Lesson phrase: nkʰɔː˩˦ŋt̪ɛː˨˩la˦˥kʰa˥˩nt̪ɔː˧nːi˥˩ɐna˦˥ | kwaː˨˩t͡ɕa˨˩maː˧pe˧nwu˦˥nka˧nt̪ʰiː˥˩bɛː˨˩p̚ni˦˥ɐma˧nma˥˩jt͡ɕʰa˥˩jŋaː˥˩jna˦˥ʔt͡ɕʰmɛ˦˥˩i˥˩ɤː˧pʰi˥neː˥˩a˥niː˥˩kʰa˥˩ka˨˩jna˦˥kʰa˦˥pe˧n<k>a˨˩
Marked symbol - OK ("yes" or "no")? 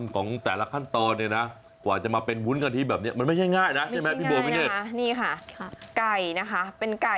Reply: yes